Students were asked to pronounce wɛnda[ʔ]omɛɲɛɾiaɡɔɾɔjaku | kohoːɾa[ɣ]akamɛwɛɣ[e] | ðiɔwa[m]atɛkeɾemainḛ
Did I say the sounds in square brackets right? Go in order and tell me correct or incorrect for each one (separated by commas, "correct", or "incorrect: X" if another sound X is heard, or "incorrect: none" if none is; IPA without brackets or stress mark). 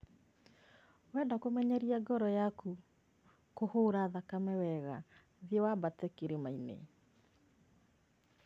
incorrect: k, incorrect: ð, incorrect: a, incorrect: b